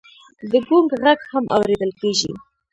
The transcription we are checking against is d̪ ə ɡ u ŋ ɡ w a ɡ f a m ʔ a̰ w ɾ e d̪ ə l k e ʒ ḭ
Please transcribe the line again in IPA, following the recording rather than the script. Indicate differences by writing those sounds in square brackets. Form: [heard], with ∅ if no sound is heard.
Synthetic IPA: d̪ ə ɡ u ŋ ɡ [ɣ] a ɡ [h] a m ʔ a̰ w ɾ e d̪ ə l k e ʒ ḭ